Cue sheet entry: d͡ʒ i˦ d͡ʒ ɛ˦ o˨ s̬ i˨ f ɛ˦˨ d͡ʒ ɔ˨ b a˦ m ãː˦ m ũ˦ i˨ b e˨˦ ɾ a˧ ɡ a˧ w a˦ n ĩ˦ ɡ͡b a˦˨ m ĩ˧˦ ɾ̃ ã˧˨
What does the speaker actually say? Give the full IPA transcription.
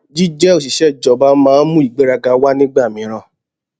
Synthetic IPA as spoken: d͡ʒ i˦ d͡ʒ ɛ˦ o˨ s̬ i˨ ʃ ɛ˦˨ d͡ʒ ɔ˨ b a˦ m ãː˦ m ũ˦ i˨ ɡ͡b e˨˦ ɾ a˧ ɡ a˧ w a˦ n ĩ˦ ɡ͡b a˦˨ m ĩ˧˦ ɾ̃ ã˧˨